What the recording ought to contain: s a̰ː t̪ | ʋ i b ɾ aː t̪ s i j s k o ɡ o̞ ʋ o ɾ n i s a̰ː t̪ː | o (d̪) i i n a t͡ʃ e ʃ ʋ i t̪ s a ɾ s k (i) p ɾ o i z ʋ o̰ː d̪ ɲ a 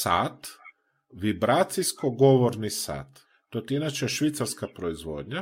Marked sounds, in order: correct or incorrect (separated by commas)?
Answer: incorrect, incorrect